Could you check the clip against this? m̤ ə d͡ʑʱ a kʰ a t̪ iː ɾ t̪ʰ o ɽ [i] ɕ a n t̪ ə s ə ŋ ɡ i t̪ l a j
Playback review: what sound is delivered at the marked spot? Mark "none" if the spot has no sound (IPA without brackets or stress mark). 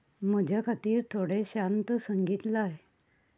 e